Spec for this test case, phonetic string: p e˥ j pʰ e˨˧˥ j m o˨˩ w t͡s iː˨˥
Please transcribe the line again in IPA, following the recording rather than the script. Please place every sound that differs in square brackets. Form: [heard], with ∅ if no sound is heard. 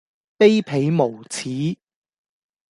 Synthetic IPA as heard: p e˥ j pʰ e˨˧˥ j m o˨˩ w [t͡sʰ] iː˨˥